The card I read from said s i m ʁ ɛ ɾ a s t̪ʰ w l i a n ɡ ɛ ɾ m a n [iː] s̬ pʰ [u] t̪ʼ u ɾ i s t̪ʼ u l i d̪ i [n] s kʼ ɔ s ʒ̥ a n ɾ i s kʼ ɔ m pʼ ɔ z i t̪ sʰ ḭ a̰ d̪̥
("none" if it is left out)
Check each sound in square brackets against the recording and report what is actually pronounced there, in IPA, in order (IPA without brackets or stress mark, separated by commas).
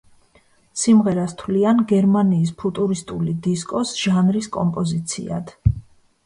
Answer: iː, u, none